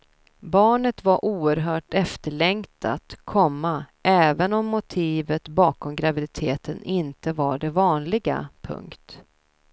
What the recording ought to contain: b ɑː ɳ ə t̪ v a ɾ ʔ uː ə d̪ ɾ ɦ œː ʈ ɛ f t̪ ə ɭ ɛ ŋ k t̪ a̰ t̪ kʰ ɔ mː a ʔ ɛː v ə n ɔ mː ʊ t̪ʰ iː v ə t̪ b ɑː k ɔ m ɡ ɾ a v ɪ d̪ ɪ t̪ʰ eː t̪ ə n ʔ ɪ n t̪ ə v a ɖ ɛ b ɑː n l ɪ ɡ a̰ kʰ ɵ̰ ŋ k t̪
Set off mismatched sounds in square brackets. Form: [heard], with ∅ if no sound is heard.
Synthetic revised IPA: b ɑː ɳ ə t̪ v a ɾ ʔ uː ə [∅] ɾ ɦ œː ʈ ɛ f t̪ ə ɭ ɛ ŋ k t̪ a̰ t̪ kʰ ɔ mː a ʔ ɛː v ə n ɔ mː ʊ t̪ʰ iː v ə t̪ b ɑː k ɔ m ɡ ɾ a v ɪ d̪ ɪ t̪ʰ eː t̪ ə n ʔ ɪ n t̪ ə v a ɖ ɛ [v] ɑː n l ɪ ɡ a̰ [pʰ] ɵ̰ ŋ k t̪